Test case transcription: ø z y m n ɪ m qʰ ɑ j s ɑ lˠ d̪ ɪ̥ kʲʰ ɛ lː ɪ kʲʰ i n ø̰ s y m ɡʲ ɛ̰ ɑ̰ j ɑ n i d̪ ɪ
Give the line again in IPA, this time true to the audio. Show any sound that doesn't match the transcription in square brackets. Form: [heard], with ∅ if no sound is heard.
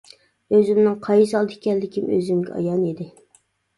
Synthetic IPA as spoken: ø z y m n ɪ [ŋ] qʰ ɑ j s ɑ lˠ d̪ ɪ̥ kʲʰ ɛ lː ɪ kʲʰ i [m] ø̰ [z] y m ɡʲ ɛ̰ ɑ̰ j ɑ n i d̪ ɪ